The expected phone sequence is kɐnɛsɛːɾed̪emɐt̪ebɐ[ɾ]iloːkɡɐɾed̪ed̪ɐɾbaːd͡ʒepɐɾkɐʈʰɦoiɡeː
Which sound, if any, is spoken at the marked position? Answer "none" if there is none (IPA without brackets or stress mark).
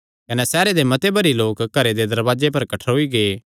ɾ